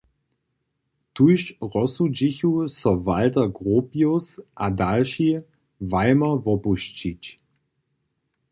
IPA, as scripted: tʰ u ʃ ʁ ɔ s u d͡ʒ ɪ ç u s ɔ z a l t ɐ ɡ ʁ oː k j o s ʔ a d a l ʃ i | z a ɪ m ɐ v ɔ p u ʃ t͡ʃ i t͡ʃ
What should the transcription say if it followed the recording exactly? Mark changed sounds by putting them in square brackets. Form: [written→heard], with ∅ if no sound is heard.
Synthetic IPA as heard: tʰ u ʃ ʁ ɔ s u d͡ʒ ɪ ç u s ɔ [z→v] a l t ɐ ɡ ʁ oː [k→p] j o s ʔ a d a l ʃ i | [z→v] a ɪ m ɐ v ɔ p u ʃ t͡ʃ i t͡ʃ